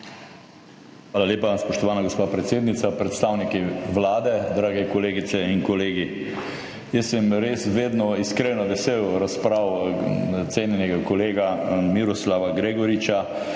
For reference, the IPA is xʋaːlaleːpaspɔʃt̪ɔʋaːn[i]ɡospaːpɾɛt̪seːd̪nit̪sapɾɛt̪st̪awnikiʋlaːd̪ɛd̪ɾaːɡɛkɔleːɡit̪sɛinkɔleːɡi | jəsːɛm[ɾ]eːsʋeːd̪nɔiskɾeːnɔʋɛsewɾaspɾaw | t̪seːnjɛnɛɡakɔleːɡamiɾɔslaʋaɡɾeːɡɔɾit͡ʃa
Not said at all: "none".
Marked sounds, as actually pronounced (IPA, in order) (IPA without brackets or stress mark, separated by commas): a, ɾ